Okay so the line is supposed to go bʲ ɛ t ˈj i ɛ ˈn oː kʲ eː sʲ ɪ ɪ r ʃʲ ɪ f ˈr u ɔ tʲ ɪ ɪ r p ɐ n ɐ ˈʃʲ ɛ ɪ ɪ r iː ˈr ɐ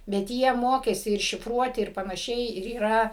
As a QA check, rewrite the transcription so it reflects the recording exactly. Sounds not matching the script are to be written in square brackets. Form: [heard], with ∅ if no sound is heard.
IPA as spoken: bʲ ɛ t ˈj i ɛ [ˈm] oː kʲ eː sʲ ɪ ɪ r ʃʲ ɪ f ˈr u ɔ tʲ ɪ ɪ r p ɐ n ɐ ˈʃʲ ɛ ɪ ɪ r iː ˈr ɐ